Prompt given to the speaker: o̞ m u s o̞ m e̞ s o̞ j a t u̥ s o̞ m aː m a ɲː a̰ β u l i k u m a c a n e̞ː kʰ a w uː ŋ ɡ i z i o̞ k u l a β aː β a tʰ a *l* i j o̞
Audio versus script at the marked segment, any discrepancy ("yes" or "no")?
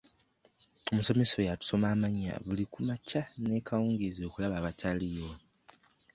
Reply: no